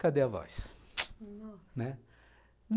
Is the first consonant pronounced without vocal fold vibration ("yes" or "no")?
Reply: yes